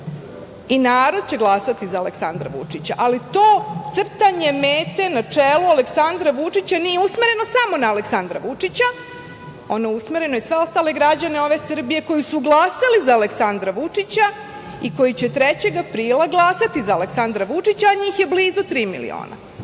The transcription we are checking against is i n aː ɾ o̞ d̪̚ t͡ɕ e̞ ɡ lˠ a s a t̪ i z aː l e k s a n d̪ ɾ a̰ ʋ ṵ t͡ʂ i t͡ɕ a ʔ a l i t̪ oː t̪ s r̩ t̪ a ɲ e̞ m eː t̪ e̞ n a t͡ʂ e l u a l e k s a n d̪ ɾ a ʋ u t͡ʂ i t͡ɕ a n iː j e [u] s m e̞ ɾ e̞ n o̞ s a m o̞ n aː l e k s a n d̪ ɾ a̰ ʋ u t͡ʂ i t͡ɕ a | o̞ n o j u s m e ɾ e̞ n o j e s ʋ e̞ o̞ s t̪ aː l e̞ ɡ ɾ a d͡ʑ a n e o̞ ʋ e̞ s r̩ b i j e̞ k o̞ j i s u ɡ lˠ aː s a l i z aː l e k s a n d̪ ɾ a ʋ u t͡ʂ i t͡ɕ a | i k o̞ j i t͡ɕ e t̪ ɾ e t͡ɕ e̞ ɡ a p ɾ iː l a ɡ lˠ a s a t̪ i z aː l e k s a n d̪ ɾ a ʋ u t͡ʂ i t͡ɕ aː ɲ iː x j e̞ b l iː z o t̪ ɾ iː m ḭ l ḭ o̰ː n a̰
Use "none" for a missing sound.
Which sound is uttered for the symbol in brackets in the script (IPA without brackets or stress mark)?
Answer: u